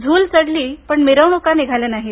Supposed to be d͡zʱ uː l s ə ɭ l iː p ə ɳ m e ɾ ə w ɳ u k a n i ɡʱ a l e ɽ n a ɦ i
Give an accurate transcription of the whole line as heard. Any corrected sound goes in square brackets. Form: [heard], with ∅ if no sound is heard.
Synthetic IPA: d͡zʱ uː l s ə [ɽ] l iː p ə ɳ m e ɾ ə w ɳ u k a n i ɡʱ a l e [∅] n a ɦ i